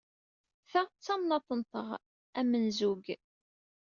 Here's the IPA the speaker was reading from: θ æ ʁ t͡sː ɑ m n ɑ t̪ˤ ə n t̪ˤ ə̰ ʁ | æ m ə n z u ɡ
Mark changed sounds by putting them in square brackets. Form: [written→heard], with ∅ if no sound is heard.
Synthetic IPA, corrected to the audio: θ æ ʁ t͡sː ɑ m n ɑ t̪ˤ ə n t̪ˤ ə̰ ʁ | æ m ə n z u ɡ